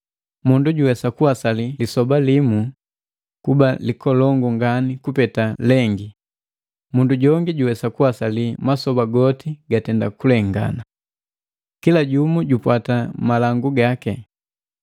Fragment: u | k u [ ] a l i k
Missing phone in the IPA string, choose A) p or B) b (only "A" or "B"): B